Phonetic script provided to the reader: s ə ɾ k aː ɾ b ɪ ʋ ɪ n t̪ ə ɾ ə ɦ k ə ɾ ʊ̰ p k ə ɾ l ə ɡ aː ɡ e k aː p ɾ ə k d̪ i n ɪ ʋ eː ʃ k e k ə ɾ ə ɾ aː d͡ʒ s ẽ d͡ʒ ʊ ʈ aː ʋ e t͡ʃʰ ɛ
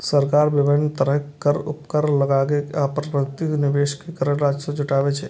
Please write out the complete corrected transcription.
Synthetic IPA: s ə ɾ k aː ɾ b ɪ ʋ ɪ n t̪ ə ɾ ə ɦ k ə ɾ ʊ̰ p k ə ɾ l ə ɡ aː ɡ e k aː p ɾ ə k t̪ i n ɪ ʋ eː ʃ k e k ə ɾ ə ɾ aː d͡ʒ s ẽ d͡ʒ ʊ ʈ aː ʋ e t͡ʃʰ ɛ